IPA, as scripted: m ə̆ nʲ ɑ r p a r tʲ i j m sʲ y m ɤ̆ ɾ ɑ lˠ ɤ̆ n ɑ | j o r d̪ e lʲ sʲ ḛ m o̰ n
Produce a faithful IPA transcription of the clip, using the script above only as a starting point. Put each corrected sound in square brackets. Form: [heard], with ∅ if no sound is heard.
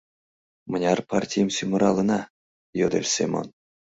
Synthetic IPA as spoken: m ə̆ nʲ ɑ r p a r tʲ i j m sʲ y m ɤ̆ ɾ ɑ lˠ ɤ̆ n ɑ | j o [∅] d̪ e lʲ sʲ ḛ m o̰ n